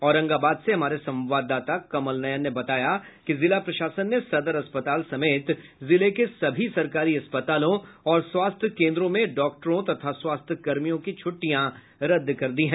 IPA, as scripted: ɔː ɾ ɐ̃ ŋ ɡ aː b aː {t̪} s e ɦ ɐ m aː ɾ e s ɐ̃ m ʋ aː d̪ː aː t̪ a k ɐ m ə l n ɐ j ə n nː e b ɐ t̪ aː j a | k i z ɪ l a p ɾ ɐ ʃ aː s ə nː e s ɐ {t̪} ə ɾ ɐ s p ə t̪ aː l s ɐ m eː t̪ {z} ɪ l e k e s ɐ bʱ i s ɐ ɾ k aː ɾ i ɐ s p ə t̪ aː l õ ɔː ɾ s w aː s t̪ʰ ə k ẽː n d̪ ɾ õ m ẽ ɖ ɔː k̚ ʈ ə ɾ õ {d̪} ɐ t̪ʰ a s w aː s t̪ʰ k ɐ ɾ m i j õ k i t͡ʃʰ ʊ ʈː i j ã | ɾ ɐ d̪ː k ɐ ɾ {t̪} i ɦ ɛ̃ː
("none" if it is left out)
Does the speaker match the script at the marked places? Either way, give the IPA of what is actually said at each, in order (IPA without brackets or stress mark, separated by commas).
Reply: d̪, d̪, z, t̪, d̪